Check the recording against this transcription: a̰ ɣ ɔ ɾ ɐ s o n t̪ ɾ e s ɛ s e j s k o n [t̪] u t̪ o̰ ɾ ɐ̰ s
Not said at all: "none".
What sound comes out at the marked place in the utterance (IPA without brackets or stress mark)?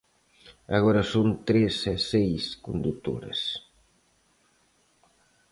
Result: d̪